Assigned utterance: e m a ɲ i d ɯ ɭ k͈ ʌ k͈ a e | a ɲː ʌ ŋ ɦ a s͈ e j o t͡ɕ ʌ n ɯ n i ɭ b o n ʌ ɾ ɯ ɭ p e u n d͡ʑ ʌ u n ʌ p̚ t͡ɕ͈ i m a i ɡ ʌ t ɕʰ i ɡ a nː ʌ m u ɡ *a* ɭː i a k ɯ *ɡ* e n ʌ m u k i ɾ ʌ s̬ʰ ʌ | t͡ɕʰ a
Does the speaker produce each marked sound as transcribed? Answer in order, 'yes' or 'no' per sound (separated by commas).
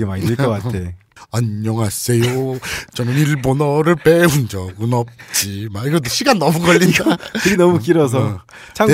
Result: no, yes